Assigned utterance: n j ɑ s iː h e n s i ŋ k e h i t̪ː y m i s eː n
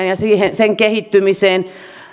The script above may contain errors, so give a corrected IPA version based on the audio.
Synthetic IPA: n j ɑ s iː h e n s e ŋ k e h i t̪ː y m i s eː n